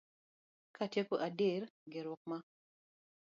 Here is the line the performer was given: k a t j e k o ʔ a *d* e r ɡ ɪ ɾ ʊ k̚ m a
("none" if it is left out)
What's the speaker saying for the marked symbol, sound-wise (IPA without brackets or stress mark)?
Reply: d